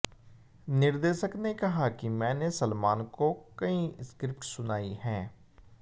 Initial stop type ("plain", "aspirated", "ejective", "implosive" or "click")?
plain